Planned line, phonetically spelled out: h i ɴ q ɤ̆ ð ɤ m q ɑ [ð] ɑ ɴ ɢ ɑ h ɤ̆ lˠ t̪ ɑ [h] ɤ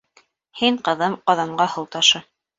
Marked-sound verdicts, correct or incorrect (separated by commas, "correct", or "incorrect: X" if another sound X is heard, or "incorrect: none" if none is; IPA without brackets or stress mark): correct, incorrect: ʃ